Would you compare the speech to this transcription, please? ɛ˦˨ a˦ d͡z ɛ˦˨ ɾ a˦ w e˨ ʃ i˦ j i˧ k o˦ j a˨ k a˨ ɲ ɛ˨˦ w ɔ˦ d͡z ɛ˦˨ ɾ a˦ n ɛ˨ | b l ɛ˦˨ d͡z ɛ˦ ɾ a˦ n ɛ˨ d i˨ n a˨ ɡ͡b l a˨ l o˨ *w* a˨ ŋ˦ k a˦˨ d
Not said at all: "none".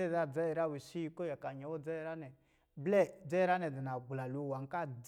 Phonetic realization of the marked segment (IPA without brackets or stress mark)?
w